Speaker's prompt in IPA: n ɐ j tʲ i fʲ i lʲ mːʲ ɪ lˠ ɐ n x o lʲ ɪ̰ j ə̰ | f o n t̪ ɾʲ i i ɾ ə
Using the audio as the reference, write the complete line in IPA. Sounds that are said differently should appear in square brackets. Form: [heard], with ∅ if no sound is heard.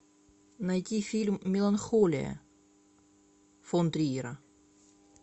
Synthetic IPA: n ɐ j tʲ i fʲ i lʲ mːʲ ɪ lˠ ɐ n x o lʲ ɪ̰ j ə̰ | f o n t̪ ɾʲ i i ɾ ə

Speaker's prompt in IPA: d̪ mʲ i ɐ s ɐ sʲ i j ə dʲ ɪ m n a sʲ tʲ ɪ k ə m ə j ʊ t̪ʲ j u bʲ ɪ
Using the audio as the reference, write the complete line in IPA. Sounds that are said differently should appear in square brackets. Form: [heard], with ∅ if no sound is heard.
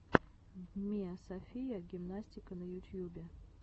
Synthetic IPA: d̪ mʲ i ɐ s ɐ [fʲ] i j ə [ɡʲ] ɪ m n a sʲ tʲ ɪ k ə [n] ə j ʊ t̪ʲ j u bʲ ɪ

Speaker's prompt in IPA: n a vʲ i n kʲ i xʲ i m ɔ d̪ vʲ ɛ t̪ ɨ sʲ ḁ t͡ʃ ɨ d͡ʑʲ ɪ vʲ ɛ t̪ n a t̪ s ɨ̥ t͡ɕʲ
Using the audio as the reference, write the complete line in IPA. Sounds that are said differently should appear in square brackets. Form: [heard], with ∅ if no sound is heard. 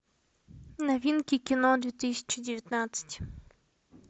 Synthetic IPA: n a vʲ i n kʲ i [kʲ] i [n] ɔ d̪ vʲ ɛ t̪ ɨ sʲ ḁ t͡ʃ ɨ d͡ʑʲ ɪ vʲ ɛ t̪ n a t̪ s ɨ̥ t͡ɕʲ

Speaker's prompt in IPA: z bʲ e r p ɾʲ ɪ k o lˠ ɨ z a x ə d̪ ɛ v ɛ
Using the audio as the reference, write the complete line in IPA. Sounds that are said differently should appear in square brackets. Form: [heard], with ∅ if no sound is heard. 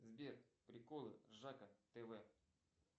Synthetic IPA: z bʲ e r p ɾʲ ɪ k o lˠ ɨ [ʐ] a [k] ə [t̪] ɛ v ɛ

